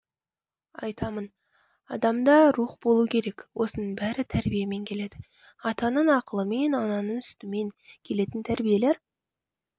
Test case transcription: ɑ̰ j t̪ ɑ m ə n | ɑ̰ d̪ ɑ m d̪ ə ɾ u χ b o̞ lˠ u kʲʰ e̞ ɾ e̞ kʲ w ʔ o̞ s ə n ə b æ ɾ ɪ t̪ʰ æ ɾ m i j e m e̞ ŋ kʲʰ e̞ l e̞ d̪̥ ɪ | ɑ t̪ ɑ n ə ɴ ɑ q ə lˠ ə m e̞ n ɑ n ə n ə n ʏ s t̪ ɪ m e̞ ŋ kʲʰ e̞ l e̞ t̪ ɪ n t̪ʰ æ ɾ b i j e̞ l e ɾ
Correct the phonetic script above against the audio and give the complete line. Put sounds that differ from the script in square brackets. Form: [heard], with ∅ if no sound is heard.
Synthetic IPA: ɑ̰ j t̪ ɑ m ə n | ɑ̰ d̪ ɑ m d̪ [ɑ] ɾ u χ b o̞ lˠ u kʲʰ e̞ ɾ e̞ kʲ w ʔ o̞ s ə n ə b æ ɾ ɪ t̪ʰ æ ɾ [b] i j e m e̞ ŋ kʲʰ e̞ l e̞ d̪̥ ɪ | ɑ t̪ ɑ n ə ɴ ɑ q ə lˠ ə m e̞ n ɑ n [ɑ] n ə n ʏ s t̪ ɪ m e̞ ŋ kʲʰ e̞ l e̞ t̪ ɪ n t̪ʰ æ ɾ b i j e̞ l e ɾ